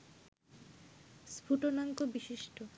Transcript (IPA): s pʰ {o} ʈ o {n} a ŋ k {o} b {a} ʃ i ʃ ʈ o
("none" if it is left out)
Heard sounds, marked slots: u, n, o, i

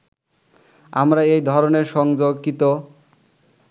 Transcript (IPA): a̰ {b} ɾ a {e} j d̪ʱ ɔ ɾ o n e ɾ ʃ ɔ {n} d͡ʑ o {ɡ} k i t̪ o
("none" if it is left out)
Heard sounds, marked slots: m, e, ŋ, ɡ

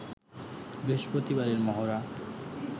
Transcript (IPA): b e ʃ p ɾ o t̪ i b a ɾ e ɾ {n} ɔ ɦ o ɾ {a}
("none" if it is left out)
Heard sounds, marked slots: m, a

